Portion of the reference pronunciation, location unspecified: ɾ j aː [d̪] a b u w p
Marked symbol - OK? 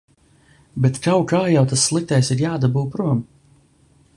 yes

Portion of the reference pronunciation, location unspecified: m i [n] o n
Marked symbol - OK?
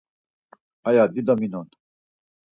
yes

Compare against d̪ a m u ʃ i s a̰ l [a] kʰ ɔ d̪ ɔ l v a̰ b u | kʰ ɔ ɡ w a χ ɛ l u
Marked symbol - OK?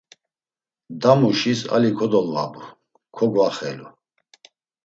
no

